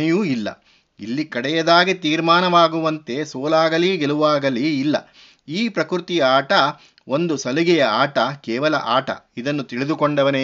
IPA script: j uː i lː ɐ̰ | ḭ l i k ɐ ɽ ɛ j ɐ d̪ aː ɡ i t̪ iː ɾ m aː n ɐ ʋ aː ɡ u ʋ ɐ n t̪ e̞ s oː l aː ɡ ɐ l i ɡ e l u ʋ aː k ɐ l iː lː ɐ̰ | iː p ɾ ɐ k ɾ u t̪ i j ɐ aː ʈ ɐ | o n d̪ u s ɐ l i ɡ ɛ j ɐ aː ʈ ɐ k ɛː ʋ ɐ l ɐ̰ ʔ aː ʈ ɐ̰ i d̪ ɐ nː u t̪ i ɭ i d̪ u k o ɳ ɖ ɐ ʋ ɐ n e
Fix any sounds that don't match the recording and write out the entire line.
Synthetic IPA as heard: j uː i lː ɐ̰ | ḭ lː i k ɐ ɽ ɛ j ɐ d̪ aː ɡ i t̪ iː ɾ m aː n ɐ ʋ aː ɡ u ʋ ɐ n t̪ e̞ s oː l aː ɡ ɐ l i ɡ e l u ʋ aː ɡ ɐ l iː lː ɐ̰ | iː p ɾ ɐ k ɾ u t̪ i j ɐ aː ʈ ɐ | o n d̪ u s ɐ l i ɡ ɛ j ɐ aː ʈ ɐ k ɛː ʋ ɐ l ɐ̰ ʔ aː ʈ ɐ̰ i d̪ ɐ nː u t̪ i ɭ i d̪ u k o ɳ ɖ ɐ ʋ ɐ n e